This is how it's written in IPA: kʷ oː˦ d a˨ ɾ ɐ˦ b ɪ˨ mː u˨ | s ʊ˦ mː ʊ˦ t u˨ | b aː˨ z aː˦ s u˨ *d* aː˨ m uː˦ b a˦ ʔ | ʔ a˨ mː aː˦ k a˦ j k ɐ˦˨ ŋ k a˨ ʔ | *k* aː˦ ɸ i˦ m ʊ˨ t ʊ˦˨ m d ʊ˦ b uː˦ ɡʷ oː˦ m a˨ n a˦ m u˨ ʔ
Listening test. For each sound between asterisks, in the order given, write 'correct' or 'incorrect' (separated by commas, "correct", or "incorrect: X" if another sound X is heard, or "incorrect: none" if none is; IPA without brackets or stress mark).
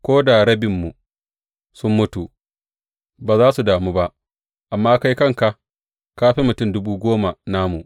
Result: correct, correct